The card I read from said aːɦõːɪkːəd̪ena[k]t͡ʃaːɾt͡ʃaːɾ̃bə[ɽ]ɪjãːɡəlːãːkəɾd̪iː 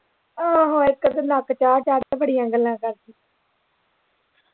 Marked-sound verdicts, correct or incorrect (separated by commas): correct, correct